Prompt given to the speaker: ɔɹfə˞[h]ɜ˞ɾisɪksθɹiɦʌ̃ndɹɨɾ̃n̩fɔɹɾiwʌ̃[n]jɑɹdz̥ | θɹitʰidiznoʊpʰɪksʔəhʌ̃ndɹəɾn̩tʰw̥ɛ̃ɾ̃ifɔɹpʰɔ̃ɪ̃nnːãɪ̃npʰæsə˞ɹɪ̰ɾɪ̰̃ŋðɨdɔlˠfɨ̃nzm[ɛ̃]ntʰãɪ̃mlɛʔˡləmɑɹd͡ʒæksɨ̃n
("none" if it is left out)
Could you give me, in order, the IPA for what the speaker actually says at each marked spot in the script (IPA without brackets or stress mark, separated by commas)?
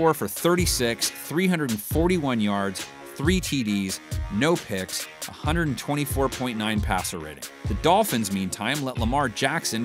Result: θ, n, ĩ